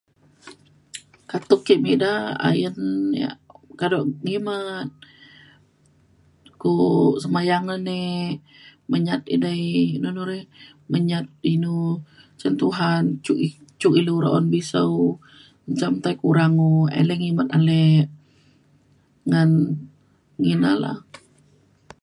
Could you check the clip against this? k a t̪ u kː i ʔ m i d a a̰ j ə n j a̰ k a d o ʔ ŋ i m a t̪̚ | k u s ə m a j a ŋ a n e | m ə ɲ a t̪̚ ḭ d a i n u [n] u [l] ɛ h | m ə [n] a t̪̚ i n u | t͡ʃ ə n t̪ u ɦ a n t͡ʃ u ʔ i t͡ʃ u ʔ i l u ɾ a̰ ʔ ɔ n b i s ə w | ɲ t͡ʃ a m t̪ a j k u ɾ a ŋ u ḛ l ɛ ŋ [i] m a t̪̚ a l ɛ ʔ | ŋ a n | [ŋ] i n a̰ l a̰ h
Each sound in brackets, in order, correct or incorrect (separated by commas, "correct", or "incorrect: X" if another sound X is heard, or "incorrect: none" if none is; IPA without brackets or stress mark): correct, incorrect: ɾ, incorrect: ɲ, correct, correct